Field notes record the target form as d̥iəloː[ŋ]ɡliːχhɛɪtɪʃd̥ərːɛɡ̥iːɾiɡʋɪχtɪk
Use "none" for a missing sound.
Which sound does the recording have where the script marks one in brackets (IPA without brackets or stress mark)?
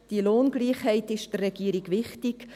n